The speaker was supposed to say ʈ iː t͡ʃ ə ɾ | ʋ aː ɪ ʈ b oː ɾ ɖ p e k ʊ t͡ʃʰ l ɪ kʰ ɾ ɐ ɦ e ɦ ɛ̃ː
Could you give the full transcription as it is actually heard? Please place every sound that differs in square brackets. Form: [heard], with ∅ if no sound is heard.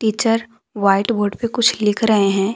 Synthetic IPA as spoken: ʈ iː t͡ʃ ə ɾ | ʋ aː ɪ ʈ b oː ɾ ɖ p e k ʊ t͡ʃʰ l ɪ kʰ ɾ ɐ ɦ e ɦ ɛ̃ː